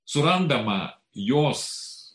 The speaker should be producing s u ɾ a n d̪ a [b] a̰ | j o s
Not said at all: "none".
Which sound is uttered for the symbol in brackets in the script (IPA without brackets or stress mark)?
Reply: m